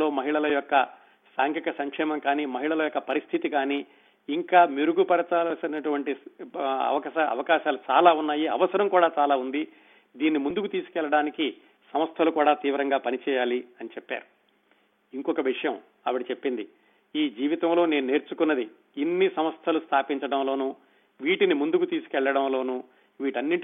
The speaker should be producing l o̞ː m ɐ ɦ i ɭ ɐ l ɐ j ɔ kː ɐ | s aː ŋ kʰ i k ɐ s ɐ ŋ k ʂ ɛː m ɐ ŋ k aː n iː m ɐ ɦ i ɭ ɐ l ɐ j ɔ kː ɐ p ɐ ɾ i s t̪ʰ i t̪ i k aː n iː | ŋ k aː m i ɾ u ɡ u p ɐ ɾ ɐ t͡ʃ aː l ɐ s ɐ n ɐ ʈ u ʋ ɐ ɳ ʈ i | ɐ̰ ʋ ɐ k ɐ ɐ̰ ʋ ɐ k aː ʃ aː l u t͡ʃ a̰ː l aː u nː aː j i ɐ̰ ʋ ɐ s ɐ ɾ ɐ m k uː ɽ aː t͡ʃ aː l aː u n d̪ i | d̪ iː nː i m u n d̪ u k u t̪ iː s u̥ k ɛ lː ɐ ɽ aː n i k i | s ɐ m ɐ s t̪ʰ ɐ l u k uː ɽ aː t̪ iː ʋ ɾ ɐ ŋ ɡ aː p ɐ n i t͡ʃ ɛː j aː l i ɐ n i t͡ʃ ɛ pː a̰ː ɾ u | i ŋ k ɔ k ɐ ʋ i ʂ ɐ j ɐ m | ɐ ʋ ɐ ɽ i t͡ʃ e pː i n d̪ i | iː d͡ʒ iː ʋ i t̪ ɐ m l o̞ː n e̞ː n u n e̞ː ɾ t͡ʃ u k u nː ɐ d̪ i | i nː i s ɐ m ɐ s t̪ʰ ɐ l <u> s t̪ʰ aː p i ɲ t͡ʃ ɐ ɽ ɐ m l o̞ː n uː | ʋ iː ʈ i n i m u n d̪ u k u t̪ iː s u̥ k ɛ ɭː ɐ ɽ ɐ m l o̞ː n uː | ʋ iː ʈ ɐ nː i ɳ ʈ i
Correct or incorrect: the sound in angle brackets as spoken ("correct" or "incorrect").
correct